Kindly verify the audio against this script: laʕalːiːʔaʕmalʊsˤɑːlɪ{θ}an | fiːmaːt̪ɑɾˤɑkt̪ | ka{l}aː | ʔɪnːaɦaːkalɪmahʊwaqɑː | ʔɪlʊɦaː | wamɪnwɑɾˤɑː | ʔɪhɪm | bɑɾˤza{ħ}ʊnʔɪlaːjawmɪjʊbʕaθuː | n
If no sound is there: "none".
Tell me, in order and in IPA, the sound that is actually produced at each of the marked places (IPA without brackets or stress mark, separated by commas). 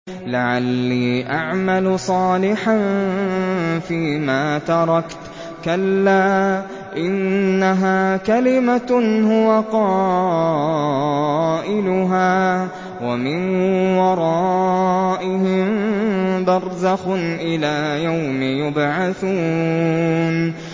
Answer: ħ, lː, x